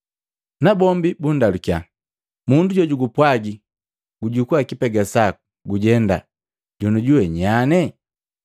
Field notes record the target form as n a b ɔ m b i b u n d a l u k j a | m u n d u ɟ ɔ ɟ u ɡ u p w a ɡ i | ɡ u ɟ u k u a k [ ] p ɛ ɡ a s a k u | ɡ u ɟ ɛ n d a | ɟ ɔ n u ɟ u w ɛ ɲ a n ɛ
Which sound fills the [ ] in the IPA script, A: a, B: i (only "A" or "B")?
B